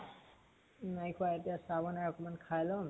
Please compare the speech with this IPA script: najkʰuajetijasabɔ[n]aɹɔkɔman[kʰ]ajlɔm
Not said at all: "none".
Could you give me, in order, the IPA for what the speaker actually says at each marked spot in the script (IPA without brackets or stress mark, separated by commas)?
n, kʰ